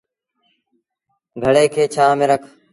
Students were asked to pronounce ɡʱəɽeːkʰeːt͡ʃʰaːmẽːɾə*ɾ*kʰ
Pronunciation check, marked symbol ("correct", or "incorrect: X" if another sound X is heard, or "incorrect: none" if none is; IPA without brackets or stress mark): incorrect: none